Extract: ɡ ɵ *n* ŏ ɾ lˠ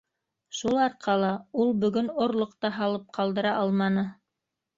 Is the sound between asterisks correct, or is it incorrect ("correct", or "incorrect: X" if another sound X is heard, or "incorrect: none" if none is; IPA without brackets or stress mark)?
correct